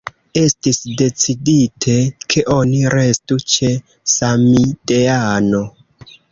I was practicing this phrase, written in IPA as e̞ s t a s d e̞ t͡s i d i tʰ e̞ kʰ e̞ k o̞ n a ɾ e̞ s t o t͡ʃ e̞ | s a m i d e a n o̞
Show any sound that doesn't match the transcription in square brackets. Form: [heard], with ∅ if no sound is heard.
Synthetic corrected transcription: e̞ s t [i] s d e̞ t͡s i d i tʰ e̞ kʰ e̞ [ʔ] o̞ n [i] ɾ e̞ s t [u] t͡ʃ e̞ | s a m i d e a n o̞